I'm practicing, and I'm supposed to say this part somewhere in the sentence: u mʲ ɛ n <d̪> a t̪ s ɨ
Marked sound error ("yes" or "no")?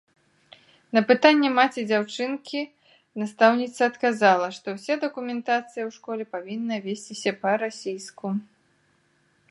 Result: yes